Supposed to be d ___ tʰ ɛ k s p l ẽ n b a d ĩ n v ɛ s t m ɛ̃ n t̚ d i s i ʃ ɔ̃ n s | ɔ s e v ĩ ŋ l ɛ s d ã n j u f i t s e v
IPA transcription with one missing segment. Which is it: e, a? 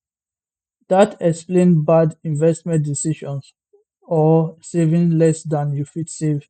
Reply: a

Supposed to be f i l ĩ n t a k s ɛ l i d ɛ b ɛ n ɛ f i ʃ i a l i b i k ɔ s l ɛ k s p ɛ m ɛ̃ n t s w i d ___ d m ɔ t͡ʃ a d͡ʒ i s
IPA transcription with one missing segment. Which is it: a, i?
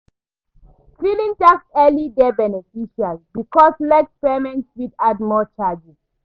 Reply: a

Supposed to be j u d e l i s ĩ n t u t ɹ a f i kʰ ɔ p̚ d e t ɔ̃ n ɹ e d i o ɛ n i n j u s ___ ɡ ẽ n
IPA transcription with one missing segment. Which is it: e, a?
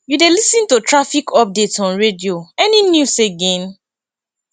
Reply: e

